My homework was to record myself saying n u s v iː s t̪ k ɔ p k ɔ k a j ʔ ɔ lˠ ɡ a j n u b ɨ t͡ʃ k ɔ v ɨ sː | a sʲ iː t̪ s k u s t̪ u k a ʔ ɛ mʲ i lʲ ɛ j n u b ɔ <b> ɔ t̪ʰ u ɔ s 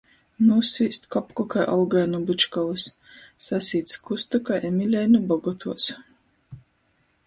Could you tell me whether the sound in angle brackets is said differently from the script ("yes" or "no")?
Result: yes